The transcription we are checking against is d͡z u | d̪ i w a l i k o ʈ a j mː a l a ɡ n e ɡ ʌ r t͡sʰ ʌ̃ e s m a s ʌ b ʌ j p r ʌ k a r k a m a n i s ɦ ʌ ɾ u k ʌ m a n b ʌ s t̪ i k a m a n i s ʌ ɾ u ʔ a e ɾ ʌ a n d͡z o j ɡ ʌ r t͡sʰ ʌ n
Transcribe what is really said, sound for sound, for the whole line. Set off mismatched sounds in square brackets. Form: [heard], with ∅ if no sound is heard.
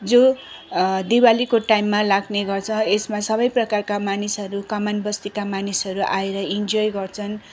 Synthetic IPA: d͡z [o] | d̪ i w a l i k o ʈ a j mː a l a ɡ n e ɡ ʌ r t͡sʰ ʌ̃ e s m a s ʌ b ʌ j p r ʌ k a r k a m a n i s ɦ ʌ ɾ u k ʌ m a n b ʌ s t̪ i k a m a n i s ʌ ɾ u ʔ a e ɾ ʌ [i] n d͡z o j ɡ ʌ r t͡sʰ ʌ n